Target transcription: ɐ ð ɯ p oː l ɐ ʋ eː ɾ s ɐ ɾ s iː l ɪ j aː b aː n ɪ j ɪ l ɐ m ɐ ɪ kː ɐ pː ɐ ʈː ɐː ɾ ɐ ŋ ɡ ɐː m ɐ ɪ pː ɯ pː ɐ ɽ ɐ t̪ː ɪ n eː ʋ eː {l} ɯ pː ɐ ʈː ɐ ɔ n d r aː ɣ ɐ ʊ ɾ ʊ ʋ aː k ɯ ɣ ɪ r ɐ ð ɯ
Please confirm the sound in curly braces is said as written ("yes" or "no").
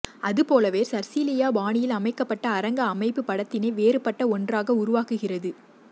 no